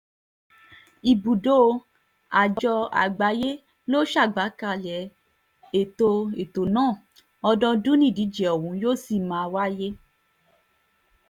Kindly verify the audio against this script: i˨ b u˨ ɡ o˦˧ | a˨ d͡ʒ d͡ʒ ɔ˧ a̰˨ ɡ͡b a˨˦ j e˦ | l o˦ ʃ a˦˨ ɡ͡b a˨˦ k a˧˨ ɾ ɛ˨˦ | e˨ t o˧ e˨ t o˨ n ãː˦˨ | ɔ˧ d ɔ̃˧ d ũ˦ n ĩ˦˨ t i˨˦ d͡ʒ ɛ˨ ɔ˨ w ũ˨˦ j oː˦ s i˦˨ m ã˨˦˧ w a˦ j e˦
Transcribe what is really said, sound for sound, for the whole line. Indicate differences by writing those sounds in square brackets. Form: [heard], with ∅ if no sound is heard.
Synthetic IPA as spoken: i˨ b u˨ [d] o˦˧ | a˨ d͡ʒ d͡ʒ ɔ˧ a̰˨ ɡ͡b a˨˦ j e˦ | l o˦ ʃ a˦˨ ɡ͡b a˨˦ k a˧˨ [l] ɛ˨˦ | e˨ t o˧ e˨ t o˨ n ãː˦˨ | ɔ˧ d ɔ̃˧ d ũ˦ n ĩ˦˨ [d] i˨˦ d͡ʒ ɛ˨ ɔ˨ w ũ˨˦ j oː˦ s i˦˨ m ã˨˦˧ w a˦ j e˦

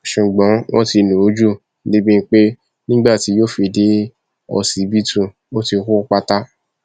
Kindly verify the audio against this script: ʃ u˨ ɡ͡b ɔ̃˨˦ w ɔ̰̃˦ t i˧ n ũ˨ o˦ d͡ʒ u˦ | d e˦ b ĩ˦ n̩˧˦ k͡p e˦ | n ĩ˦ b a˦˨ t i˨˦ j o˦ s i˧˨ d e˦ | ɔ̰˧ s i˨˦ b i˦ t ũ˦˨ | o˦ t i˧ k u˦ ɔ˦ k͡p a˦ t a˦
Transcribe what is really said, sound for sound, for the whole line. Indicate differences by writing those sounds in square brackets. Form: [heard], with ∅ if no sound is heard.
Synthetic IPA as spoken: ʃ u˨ ɡ͡b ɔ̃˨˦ w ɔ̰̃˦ t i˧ n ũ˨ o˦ d͡ʒ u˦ | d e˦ b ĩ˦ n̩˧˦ k͡p e˦ | n ĩ˦ [ɡ͡b] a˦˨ t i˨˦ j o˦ [f] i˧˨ d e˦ | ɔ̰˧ s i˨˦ b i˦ t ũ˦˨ | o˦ t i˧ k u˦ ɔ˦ k͡p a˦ t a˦

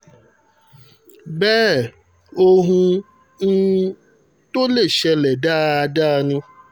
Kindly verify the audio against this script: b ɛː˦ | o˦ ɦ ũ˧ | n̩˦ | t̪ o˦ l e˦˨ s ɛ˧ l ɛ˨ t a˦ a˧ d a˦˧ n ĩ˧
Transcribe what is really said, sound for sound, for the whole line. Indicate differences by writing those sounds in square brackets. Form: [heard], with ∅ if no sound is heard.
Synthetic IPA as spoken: b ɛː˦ | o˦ ɦ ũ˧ | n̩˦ | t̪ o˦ l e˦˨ [ʃ] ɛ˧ l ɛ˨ [d] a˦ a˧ d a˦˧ n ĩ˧

